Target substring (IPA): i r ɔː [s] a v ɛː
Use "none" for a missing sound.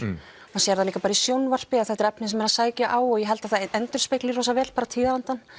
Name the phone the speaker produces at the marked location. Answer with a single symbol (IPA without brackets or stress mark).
s